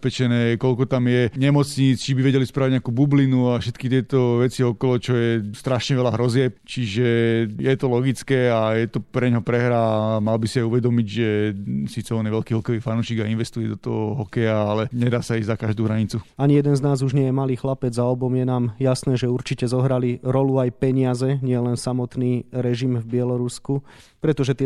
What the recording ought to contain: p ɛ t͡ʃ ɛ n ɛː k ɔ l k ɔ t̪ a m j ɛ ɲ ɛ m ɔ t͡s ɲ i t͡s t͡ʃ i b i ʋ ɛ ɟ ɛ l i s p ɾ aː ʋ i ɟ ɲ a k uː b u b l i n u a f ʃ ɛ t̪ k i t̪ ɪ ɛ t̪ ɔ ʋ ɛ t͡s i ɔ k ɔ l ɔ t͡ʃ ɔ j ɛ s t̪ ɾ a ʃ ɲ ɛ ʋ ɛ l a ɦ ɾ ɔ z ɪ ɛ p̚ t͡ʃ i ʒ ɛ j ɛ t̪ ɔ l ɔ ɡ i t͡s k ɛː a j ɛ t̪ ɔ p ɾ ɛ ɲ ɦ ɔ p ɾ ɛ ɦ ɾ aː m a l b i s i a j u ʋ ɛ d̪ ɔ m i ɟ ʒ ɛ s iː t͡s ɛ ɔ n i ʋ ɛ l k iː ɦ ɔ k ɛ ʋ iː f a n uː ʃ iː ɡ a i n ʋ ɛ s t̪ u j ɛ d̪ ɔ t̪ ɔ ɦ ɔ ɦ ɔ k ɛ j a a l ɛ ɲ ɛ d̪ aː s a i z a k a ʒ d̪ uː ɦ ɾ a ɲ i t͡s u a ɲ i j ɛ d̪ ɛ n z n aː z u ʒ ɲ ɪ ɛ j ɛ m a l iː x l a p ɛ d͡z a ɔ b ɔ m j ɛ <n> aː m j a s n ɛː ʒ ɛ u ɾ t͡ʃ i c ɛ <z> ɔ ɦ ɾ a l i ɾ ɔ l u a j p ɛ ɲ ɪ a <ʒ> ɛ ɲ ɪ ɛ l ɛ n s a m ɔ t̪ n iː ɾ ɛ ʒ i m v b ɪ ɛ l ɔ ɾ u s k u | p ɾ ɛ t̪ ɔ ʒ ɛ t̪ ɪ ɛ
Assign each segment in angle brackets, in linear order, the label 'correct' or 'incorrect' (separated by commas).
correct, correct, incorrect